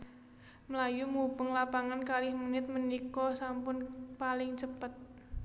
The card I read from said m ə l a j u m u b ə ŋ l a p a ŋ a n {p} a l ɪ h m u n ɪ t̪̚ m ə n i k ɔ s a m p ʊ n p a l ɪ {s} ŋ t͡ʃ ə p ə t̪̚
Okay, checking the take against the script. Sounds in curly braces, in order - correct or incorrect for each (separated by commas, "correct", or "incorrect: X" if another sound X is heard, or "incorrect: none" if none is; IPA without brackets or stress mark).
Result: incorrect: k, incorrect: none